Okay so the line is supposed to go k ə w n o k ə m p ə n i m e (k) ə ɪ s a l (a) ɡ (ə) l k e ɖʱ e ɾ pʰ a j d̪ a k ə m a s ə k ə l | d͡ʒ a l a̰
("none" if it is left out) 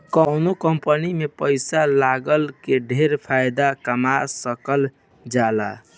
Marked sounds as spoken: p, a, ə

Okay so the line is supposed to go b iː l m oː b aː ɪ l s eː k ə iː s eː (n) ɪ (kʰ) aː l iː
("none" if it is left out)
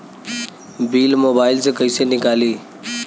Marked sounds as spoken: n, k

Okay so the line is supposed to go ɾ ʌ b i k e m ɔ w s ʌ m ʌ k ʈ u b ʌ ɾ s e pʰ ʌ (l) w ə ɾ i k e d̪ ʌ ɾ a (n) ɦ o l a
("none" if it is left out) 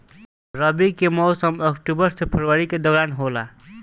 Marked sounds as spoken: ɾ, n

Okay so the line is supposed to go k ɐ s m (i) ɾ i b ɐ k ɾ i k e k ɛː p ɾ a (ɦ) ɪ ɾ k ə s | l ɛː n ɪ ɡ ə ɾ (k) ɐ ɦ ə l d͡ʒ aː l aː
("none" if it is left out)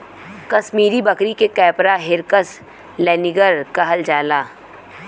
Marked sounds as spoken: iː, ɦ, k

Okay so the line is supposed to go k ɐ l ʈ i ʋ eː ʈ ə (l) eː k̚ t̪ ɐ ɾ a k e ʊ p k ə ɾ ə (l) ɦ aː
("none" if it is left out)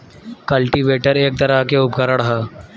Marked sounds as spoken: ɾ, ɽ

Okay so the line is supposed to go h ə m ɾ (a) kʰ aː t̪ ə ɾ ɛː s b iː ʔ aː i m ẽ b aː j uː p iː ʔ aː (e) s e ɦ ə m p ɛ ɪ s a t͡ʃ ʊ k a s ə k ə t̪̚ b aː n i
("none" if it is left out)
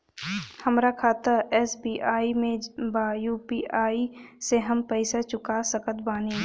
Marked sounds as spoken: a, i

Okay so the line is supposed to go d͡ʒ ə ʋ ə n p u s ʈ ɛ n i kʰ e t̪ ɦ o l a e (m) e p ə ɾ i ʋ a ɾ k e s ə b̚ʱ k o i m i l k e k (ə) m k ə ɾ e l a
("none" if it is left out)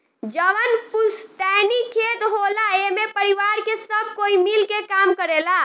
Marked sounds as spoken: m, a

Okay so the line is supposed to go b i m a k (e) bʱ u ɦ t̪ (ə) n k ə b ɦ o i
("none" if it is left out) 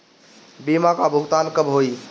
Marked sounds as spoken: a, a

